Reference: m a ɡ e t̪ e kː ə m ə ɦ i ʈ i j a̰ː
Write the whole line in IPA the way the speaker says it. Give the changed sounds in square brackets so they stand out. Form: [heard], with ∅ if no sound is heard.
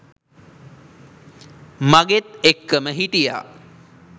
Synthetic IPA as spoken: m a ɡ e t̪ e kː ə m ə ɦ i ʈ i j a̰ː